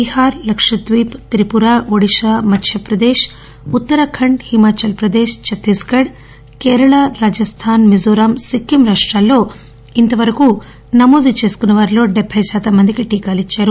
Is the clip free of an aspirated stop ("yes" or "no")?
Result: no